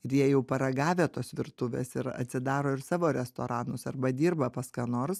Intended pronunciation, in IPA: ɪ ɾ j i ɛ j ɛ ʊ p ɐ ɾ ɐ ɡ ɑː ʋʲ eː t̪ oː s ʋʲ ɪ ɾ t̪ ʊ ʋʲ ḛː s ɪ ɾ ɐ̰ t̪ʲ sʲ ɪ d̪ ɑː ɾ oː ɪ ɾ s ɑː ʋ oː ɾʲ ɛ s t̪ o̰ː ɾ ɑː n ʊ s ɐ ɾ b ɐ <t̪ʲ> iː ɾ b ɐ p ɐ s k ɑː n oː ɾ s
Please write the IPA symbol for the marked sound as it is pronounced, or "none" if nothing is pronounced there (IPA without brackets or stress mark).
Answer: d̪ʲ